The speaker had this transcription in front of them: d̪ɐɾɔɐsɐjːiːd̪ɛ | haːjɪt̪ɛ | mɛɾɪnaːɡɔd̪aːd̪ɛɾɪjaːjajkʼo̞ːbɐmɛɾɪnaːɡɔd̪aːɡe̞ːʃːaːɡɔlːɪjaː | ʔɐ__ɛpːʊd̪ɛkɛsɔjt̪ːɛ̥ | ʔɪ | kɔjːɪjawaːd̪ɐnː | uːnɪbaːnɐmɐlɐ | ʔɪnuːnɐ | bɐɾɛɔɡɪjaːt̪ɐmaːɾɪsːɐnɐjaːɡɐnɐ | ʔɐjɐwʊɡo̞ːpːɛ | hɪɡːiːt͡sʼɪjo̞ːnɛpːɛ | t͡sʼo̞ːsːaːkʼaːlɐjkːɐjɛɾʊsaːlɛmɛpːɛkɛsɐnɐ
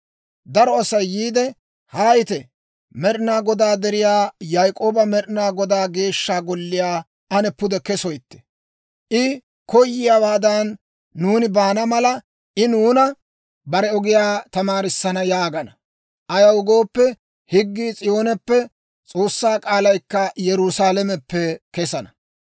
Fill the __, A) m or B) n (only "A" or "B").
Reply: B